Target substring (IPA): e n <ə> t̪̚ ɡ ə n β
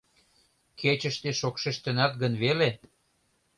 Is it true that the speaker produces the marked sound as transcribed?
no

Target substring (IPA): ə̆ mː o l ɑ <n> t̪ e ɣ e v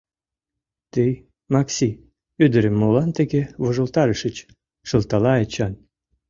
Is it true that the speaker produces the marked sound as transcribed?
yes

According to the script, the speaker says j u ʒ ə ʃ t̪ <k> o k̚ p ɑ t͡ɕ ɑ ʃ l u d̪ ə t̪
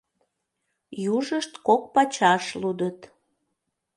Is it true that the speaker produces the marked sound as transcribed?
yes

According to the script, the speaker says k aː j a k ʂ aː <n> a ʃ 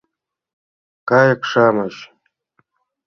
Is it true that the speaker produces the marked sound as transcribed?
no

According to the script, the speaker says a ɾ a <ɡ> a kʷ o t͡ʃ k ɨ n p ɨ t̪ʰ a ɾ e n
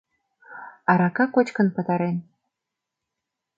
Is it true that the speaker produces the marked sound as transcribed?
no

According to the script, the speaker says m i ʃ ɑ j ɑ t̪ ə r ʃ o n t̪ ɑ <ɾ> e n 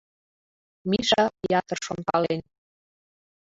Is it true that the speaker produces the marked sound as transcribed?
no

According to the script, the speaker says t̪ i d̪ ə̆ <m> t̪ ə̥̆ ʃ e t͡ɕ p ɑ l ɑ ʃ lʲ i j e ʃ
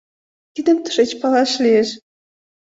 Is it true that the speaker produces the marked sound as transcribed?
yes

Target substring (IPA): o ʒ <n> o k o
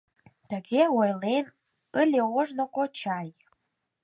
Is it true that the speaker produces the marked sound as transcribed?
yes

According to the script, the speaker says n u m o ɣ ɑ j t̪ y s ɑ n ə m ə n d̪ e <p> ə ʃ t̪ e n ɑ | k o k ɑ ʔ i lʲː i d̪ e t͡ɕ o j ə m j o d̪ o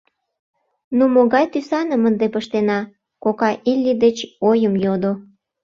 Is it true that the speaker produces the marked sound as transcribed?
yes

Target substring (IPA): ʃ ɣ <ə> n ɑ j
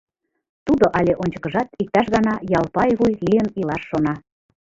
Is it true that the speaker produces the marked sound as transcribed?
no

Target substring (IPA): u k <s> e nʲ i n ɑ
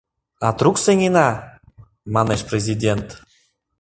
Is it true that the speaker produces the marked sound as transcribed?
yes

